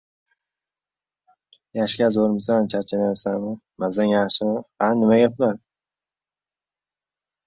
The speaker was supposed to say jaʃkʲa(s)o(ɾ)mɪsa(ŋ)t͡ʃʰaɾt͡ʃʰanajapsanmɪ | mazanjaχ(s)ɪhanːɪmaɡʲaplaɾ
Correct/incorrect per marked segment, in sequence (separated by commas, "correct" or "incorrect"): incorrect, correct, incorrect, incorrect